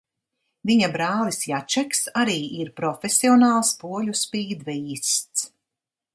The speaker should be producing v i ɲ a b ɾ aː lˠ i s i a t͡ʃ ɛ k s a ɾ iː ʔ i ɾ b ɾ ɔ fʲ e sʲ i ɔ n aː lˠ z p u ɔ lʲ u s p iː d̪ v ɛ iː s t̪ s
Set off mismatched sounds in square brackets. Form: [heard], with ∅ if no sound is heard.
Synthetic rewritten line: v i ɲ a b ɾ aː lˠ i s [j] a t͡ʃ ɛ k s a ɾ iː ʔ i ɾ [p] ɾ ɔ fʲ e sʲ i ɔ n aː lˠ [s] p u ɔ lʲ u s p iː d̪ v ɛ iː s t̪ s